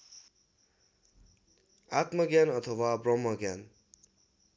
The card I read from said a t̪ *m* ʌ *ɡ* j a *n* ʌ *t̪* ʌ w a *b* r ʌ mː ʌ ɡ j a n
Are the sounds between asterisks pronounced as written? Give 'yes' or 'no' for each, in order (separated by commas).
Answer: yes, yes, yes, no, yes